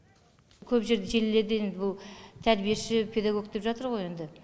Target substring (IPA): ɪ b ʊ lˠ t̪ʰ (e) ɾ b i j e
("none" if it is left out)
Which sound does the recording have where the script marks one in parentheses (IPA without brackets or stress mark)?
æ